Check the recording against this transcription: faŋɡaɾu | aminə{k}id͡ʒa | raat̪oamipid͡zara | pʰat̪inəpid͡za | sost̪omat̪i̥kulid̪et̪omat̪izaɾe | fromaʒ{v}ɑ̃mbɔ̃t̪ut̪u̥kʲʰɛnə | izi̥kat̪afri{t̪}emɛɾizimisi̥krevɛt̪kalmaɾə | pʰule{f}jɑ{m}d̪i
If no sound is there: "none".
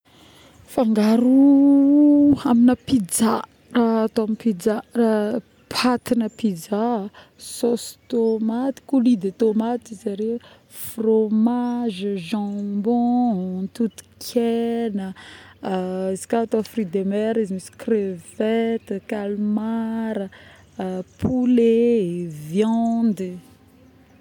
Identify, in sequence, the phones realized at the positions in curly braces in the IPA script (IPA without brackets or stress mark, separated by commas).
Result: p, ʒ, d̪, v, n